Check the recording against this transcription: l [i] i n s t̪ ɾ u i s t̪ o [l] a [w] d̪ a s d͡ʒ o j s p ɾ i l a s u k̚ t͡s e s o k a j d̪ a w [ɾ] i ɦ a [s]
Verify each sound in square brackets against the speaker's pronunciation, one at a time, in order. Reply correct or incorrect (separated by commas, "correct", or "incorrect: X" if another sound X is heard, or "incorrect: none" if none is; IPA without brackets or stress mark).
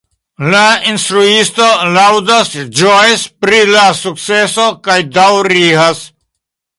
incorrect: a, correct, correct, correct, correct